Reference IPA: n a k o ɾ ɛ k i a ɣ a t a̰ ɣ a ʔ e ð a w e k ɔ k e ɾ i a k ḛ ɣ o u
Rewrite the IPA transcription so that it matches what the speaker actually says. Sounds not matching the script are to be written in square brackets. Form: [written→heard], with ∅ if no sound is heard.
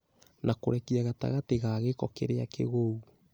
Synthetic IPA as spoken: n a k o ɾ ɛ k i a ɣ a t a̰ ɣ a [ʔ→t] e [ð→ɣ] a [w→ɣ] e k ɔ k e ɾ [i→e] a k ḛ ɣ o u